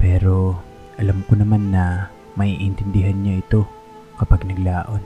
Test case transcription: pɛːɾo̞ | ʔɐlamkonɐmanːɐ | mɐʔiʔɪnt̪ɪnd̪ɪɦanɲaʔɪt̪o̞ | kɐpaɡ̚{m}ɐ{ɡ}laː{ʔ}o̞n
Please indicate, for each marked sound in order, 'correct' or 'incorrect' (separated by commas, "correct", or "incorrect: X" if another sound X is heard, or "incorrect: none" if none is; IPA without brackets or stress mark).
incorrect: n, correct, correct